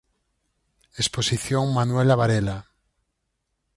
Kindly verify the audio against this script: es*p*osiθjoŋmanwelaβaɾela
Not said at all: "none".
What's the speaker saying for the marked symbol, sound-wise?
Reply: p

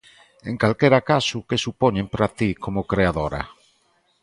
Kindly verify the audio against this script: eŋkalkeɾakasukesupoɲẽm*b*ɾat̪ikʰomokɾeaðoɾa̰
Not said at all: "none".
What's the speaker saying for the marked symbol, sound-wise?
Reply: p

